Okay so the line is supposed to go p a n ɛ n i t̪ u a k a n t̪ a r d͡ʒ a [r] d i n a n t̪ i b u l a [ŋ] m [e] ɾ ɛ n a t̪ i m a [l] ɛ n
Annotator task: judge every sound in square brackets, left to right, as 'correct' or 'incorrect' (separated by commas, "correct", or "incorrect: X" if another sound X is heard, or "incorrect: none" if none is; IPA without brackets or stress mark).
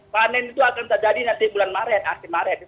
incorrect: none, incorrect: n, incorrect: a, incorrect: ɾ